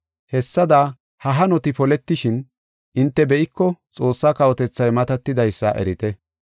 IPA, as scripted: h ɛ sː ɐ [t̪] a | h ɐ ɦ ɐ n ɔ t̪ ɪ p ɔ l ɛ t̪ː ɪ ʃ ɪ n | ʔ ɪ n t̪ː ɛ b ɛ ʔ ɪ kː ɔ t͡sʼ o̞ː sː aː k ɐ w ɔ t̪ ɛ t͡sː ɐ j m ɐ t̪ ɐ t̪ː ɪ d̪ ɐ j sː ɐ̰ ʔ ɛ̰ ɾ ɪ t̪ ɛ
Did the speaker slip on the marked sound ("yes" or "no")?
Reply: yes